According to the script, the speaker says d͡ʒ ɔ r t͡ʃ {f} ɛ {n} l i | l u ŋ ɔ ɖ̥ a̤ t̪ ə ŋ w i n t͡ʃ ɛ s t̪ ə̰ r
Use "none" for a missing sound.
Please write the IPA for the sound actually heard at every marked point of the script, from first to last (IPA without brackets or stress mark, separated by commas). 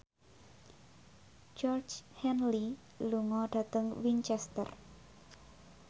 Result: h, n